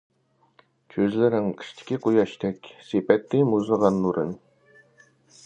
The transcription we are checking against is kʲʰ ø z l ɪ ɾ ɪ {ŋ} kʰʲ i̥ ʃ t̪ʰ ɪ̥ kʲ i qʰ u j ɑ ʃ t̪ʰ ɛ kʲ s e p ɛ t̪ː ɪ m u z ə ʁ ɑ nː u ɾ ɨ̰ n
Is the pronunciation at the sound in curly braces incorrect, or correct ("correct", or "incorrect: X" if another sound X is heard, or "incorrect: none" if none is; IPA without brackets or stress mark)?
correct